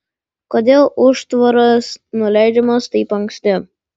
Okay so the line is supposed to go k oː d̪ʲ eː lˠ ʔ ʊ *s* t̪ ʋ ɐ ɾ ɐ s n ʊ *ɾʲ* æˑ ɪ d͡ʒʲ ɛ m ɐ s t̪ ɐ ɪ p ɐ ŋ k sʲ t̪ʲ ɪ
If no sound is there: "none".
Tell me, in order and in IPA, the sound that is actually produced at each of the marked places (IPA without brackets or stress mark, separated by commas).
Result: ʃ, lʲ